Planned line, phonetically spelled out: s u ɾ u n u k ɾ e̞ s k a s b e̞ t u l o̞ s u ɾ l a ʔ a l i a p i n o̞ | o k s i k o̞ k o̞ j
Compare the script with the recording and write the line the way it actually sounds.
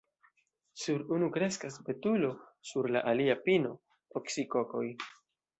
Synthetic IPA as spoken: s u ɾ u n u k ɾ e̞ s k a s b e̞ t u l o̞ s u ɾ l a ʔ a l i a p i n o̞ | o k s i k o̞ k o̞ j